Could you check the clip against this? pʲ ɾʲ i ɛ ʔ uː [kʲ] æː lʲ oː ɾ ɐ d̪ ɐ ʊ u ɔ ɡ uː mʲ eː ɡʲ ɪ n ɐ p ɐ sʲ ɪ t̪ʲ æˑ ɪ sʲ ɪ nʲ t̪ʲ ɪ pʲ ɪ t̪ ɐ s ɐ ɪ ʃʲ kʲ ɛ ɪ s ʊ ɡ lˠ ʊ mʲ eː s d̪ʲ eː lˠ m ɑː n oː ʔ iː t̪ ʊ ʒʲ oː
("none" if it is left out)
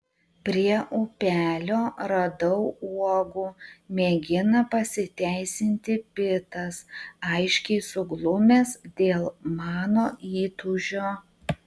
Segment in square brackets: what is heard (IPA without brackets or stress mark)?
pʲ